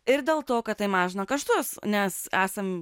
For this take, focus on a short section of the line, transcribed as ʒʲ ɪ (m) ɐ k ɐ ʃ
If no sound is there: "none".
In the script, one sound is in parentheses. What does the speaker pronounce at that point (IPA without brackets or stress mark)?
n